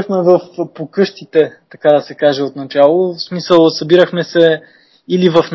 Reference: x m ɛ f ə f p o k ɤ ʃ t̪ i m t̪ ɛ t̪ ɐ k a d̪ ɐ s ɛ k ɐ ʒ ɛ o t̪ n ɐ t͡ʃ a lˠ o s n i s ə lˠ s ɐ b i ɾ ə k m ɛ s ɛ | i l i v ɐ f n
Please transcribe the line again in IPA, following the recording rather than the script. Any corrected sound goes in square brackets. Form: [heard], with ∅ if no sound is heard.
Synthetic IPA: x m ɛ [v] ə f p o k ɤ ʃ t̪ i [∅] t̪ ɛ t̪ ɐ k a d̪ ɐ s ɛ k [a] ʒ ɛ o t̪ n ɐ t͡ʃ a lˠ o s [m] i s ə lˠ s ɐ b i ɾ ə [x] m ɛ s ɛ | i l i v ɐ f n